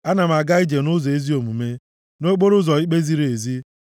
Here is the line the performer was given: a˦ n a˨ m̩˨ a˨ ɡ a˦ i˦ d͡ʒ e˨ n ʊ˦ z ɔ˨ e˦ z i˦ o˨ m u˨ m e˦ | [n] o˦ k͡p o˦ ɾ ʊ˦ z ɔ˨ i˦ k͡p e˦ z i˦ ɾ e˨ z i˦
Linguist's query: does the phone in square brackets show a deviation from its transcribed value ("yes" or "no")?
no